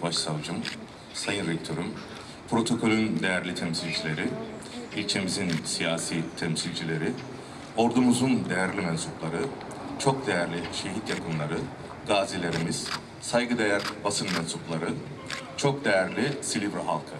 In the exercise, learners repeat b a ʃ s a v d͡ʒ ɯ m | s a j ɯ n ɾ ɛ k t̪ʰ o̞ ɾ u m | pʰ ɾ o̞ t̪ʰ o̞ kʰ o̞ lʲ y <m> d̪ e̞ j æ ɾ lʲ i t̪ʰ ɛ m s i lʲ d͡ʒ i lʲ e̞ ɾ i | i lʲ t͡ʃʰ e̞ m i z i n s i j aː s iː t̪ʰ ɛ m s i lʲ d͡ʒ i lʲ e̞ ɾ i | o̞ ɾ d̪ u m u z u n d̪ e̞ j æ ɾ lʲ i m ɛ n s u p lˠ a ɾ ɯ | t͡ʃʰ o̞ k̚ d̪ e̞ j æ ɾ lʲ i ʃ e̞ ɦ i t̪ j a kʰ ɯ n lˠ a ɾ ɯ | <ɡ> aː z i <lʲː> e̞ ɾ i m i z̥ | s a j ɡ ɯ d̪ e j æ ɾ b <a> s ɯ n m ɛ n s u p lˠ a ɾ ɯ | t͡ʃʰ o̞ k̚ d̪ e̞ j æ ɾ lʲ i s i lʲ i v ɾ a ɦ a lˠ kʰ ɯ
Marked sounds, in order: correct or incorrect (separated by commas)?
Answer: incorrect, correct, incorrect, correct